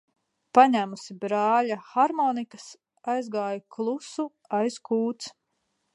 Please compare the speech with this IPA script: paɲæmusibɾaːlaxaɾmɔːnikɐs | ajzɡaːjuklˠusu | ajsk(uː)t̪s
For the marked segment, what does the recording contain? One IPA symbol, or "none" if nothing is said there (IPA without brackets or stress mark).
uː